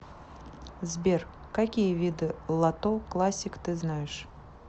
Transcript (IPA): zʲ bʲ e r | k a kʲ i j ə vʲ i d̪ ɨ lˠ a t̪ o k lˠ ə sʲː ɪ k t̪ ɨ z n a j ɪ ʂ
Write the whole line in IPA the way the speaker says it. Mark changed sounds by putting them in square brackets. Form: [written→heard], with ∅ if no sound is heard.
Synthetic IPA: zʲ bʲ e r | k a kʲ i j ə vʲ i d̪ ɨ lˠ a t̪ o k lˠ [ə→a] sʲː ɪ k t̪ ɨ z n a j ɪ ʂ